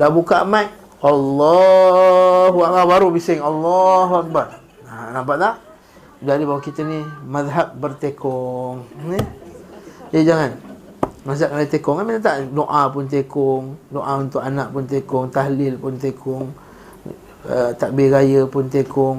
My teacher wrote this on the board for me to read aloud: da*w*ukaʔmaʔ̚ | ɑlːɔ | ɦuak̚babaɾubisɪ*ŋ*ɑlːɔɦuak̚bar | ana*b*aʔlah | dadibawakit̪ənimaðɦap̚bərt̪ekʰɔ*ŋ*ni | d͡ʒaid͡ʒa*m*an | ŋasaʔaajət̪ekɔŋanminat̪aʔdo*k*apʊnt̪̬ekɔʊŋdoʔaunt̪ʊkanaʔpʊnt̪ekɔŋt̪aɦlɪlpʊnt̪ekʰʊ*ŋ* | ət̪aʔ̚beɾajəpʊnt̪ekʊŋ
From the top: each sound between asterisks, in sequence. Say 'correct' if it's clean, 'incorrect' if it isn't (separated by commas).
incorrect, correct, correct, correct, incorrect, incorrect, correct